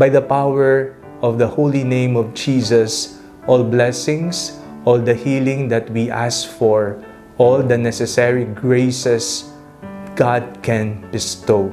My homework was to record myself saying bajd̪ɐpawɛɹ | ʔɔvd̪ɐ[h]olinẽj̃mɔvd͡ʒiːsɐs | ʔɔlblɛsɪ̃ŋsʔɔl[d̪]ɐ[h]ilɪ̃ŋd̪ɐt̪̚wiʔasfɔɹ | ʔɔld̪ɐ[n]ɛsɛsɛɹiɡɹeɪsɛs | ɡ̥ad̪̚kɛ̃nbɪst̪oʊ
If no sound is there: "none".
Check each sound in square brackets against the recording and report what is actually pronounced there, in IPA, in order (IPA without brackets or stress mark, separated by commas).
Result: h, d̪, h, n